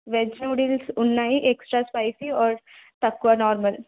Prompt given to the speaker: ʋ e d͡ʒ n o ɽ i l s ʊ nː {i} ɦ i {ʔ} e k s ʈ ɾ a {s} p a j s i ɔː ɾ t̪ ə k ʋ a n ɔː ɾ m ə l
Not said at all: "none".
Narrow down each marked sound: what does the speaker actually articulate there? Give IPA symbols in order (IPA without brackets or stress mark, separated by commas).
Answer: a, ʔ, s